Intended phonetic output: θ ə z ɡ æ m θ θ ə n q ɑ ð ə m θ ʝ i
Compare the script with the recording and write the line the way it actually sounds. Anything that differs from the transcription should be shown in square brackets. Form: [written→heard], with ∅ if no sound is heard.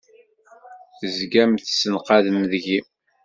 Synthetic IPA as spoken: θ ə z ɡ æ m θ [θ→s] ə n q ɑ ð ə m [θ→ð] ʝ i